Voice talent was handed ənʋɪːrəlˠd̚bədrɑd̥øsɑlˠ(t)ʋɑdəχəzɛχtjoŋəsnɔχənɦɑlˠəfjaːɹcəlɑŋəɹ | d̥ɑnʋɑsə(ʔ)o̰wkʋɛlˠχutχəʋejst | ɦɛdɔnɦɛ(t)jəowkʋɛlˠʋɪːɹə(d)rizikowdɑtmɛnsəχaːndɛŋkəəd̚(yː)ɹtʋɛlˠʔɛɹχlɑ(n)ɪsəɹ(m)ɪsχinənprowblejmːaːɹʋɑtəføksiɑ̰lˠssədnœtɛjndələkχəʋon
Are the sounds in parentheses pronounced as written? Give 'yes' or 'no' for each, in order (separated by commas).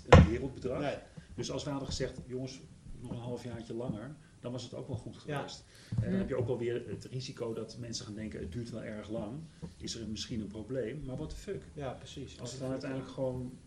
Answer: no, no, no, no, yes, no, yes